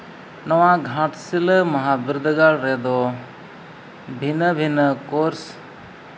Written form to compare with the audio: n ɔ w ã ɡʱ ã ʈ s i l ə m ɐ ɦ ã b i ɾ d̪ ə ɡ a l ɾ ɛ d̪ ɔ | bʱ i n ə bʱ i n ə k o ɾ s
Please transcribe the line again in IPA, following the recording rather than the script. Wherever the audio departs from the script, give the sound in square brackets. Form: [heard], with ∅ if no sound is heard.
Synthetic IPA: n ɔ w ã ɡʱ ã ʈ s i l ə m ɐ ɦ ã b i ɾ d̪ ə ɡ a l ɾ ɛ d̪ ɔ | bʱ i n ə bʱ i n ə k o ɾ s